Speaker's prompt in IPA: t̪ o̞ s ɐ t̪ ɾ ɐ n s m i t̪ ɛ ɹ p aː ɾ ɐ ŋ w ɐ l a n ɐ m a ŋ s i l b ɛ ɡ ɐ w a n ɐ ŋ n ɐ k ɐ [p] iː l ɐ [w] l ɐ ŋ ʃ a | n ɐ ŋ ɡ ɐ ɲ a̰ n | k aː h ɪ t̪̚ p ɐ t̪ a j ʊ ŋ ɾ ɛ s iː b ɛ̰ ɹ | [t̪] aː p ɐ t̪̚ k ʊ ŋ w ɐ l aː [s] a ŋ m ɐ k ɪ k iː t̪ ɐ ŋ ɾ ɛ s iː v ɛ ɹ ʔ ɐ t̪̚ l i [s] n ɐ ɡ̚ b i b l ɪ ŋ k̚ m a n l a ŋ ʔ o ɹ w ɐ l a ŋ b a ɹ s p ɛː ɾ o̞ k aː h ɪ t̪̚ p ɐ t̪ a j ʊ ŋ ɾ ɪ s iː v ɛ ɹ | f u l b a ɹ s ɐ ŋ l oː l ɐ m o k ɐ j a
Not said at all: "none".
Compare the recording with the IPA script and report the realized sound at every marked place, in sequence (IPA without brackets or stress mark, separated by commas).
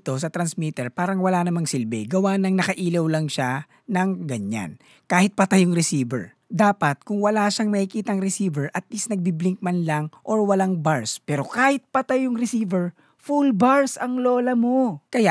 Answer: ʔ, w, d̪, ʃ, s